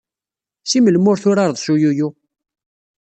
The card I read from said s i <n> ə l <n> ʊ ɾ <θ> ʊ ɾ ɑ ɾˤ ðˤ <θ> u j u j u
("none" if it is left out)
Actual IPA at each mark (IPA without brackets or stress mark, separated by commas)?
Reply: m, m, θ, s